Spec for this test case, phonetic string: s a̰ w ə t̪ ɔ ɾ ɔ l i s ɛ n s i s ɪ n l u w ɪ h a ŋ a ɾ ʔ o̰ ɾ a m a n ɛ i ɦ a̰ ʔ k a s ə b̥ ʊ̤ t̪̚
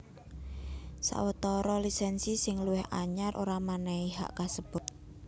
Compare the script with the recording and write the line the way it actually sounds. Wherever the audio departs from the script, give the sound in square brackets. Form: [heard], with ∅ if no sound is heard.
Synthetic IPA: s a̰ w ə t̪ ɔ ɾ ɔ l i s ɛ n s i s ɪ [ŋ] l u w ɪ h a [ɲ] a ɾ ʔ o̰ ɾ a m a n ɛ i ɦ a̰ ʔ k a s ə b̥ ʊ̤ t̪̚